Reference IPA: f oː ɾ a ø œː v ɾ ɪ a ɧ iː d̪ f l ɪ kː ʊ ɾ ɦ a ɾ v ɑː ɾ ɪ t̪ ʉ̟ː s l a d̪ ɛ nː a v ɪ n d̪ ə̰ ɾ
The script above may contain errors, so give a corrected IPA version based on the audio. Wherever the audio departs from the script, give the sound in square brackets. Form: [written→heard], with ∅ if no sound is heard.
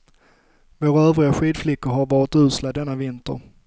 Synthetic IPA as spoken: [f→v] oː ɾ a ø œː v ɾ ɪ a ɧ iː d̪ f l ɪ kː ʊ ɾ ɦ a ɾ v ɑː ɾ ɪ t̪ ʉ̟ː s l a d̪ ɛ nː a v ɪ n [d̪→t̪] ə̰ ɾ